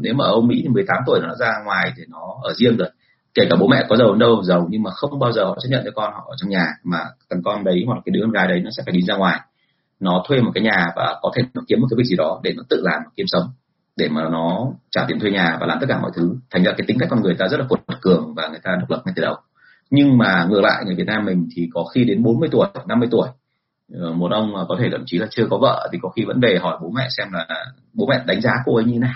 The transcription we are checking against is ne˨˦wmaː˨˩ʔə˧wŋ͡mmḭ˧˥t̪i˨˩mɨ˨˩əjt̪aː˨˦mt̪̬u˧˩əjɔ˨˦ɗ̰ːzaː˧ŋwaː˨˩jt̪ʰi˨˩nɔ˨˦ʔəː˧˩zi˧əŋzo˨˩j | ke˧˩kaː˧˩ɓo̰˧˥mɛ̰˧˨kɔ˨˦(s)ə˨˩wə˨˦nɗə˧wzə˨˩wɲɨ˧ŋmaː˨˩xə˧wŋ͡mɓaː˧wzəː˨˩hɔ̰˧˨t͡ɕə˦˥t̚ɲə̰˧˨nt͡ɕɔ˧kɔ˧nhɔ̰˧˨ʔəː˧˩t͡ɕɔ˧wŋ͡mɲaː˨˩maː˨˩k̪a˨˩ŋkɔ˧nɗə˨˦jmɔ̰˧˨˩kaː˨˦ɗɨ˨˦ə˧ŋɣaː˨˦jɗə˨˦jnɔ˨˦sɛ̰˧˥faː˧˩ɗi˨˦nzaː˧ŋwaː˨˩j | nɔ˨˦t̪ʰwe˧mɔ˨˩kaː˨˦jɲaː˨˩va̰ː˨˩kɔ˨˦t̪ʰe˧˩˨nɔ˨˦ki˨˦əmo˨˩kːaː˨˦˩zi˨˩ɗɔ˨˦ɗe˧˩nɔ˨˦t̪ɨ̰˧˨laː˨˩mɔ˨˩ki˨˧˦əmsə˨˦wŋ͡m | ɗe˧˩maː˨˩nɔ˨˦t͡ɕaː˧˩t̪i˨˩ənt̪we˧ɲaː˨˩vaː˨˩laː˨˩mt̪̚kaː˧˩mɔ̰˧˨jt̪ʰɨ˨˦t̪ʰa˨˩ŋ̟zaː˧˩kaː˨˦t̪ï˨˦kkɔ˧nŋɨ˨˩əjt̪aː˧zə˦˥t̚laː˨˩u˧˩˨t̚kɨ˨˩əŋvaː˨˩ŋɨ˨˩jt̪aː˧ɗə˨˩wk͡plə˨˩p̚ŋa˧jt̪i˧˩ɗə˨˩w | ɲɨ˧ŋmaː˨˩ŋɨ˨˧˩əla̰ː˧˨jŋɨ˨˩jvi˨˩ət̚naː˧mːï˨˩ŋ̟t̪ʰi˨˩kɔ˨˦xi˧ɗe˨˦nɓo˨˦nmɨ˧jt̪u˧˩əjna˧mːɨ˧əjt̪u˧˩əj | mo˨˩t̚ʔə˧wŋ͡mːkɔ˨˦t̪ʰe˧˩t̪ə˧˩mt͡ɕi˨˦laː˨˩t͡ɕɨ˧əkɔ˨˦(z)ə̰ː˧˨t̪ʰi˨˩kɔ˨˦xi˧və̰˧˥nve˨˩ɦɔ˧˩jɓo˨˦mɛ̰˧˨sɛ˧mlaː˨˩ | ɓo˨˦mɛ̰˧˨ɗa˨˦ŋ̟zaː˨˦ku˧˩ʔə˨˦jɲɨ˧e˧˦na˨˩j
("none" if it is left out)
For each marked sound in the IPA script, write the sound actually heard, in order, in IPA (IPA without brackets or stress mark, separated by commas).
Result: z, v